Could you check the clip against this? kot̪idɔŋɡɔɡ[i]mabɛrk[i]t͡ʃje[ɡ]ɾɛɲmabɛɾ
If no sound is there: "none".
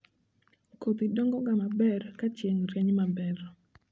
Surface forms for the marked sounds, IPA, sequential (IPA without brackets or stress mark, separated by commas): a, a, ŋ